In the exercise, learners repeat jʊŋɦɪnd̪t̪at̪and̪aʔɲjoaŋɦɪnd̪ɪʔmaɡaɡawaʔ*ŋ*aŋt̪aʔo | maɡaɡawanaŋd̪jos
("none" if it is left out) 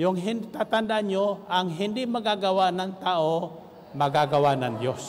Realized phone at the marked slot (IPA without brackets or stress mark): n